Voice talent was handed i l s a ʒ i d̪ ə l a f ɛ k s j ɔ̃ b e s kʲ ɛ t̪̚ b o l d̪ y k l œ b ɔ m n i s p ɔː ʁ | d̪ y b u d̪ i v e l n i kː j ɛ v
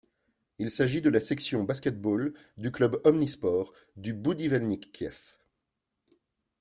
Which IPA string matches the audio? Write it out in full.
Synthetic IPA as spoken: i l s a ʒ i d̪ ə l a s ɛ k s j ɔ̃ b a s kʲ ɛ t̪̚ b o l d̪ y k l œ b ɔ m n i s p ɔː ʁ | d̪ y b u d̪ i v ɛ l n i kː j ɛ f